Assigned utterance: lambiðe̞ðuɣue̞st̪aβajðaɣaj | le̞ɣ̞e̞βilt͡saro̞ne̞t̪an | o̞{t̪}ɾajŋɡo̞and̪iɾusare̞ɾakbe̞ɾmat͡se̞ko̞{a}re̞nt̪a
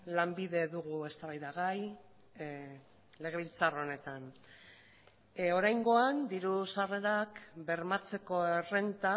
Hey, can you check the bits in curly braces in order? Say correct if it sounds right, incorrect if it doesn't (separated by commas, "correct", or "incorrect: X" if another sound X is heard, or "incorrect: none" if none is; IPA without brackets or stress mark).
incorrect: none, incorrect: e